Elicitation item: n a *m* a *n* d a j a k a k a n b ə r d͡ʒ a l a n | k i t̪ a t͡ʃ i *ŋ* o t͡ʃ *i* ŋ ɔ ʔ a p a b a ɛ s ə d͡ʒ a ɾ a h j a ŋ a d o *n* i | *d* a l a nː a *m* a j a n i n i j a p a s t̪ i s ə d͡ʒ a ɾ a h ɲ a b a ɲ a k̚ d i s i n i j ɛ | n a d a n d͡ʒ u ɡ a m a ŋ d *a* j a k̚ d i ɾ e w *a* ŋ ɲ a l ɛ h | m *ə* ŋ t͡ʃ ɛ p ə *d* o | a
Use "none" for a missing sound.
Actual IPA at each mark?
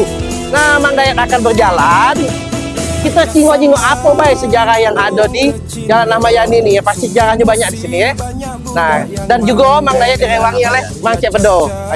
m, ŋ, ŋ, i, d, d͡ʒ, m, a, a, a, d

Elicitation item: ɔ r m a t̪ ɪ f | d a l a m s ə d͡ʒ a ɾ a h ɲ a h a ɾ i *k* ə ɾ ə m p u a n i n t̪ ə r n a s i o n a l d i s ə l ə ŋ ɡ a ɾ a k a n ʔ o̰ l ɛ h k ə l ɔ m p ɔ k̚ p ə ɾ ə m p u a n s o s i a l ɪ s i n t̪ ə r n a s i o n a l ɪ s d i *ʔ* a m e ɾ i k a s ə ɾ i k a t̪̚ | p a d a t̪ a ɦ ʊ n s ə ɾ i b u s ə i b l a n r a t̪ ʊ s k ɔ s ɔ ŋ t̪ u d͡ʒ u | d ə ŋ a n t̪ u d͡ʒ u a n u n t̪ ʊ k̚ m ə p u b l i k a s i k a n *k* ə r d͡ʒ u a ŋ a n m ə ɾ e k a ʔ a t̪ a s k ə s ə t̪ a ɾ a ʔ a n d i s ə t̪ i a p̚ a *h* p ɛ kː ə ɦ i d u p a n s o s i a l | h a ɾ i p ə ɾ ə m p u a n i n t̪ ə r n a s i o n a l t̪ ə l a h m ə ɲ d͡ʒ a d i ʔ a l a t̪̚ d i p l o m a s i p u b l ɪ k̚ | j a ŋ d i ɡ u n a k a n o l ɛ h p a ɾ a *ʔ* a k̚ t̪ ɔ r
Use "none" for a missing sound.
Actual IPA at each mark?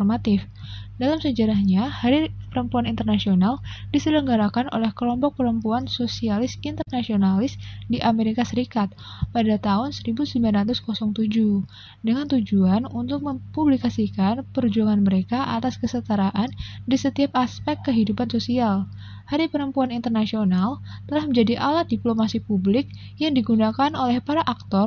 p, ʔ, p, s, ʔ

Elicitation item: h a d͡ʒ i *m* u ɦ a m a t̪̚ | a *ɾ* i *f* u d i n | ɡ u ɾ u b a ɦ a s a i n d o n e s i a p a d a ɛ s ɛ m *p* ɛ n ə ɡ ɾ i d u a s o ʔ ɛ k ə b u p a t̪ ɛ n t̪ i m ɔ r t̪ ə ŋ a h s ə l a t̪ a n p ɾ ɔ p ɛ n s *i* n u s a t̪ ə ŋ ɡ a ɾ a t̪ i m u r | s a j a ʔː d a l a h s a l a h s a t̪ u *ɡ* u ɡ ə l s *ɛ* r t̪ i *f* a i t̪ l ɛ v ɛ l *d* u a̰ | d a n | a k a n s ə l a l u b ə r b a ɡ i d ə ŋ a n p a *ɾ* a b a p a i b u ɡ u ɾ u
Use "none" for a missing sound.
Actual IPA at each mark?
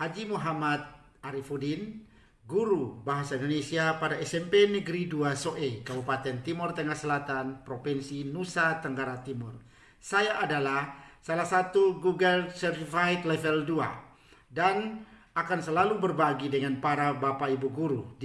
m, ɾ, f, p, i, ɡ, ɛ, f, d, ɾ

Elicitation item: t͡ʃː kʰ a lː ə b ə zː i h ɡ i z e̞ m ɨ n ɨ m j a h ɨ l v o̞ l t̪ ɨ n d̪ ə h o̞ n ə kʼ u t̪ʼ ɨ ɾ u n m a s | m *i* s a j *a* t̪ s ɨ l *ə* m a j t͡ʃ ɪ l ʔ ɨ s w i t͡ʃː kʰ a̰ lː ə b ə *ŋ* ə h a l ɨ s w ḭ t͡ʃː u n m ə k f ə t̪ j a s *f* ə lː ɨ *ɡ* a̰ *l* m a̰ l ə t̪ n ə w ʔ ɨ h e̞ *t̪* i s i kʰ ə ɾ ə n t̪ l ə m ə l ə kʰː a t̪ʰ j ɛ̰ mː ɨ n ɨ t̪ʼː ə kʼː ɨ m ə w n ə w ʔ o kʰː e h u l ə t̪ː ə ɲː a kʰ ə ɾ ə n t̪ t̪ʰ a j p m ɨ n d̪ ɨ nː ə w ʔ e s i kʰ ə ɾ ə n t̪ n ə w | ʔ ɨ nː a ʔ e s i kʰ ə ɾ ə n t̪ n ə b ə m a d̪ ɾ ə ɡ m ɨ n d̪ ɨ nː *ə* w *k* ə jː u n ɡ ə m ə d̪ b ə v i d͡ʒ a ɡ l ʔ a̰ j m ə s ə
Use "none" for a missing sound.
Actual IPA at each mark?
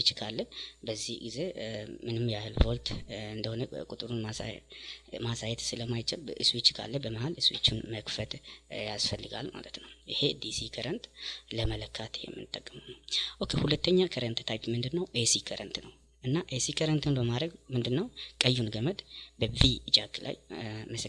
a, ɛ, ə, m, f, ɡ, l, d̪, ə, kʼ

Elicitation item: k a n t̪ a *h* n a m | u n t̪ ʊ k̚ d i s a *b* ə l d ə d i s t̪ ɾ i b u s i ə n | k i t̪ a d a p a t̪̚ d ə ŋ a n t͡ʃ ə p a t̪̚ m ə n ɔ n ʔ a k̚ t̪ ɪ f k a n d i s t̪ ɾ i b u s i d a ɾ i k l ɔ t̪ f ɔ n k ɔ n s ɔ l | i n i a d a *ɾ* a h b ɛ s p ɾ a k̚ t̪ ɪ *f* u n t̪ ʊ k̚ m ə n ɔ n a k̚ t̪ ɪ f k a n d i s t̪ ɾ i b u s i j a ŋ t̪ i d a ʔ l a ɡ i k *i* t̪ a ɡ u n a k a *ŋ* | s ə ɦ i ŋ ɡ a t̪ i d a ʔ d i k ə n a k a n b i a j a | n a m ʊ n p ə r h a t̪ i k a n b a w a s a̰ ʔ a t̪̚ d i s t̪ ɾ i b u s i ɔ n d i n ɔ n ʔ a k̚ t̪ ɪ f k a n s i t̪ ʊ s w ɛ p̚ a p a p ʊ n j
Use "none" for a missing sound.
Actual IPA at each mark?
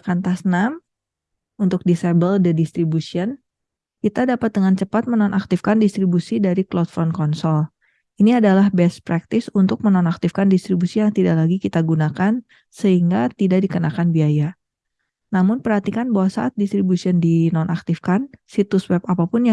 s, b, l, s, i, n

